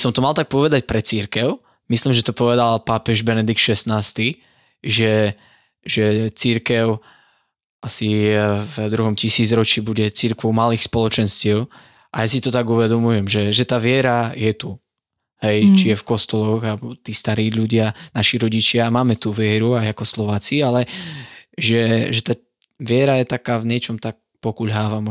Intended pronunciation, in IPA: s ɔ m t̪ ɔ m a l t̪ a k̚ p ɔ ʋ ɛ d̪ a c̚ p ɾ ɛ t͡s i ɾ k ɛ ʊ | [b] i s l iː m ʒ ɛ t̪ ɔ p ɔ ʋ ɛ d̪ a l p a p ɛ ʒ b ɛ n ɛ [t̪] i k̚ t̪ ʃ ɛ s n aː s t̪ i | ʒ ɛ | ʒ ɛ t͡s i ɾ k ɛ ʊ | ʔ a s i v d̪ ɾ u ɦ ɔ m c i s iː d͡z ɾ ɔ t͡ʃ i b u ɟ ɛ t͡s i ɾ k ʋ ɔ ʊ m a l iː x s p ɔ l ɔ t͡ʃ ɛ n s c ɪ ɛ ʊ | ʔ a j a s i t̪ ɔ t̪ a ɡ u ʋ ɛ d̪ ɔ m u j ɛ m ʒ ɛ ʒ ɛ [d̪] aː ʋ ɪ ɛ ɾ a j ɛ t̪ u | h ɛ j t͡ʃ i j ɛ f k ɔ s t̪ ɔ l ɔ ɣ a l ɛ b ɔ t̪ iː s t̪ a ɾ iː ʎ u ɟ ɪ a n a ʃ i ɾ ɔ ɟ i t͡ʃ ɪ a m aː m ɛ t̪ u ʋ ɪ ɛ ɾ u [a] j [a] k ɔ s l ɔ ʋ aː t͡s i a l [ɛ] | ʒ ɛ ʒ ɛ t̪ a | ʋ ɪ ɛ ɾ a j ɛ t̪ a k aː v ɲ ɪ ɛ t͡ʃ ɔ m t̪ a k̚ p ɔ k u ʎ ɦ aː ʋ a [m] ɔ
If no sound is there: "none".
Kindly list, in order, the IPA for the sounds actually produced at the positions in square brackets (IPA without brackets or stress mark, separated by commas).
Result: m, d̪, t̪, a, a, ɛ, m